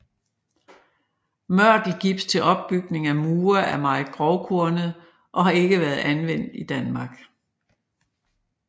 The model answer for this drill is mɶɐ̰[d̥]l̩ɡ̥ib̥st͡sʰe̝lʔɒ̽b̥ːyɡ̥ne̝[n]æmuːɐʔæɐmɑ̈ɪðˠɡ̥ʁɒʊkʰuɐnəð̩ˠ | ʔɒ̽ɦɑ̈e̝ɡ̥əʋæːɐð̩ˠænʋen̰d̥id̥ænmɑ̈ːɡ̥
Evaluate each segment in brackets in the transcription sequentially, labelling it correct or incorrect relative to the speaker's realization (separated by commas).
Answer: correct, incorrect